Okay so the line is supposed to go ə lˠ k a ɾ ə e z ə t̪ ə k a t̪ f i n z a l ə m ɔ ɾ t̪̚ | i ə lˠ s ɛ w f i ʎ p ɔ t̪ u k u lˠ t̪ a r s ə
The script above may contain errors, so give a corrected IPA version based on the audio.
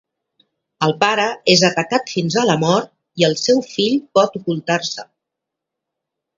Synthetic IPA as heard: ə lˠ p a ɾ ə e z ə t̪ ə k a t̪ f i n z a l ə m ɔ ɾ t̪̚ | i ə lˠ s ɛ w f i ʎ p ɔ t̪ u k u lˠ t̪ a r s ə